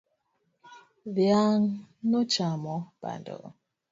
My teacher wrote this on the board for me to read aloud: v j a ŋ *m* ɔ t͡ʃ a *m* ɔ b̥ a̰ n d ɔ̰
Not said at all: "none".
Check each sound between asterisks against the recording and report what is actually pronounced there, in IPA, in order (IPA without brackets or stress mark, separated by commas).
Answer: n, m